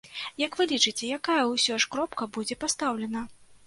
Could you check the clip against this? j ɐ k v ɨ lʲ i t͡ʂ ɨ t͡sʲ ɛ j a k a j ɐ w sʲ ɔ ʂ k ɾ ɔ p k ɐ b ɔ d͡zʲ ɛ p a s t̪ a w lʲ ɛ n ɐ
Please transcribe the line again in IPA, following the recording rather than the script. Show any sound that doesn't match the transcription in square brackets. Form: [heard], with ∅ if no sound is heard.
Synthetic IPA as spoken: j ɐ k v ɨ lʲ i t͡ʂ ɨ t͡sʲ ɛ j a k a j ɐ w sʲ ɔ ʂ k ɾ ɔ p k ɐ b [u] d͡zʲ ɛ p a s t̪ a w lʲ ɛ n ɐ